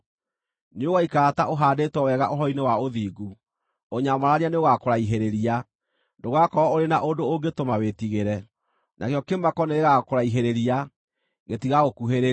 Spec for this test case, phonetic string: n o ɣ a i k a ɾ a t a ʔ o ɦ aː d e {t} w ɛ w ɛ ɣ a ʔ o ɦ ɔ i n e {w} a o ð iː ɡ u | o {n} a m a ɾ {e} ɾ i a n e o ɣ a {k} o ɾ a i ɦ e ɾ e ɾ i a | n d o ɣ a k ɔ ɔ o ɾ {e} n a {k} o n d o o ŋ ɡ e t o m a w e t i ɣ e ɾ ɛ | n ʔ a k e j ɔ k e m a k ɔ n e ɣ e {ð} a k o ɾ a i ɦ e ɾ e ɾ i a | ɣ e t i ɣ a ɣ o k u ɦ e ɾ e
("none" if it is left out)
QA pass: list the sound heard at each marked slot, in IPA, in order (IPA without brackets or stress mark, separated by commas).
t, w, ɲ, a, k, e, ʔ, ɣ